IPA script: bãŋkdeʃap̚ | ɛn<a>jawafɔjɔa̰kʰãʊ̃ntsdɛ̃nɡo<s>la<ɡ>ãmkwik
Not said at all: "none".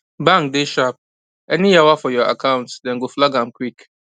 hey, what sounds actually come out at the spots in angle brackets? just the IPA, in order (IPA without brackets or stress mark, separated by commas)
i, f, ɡ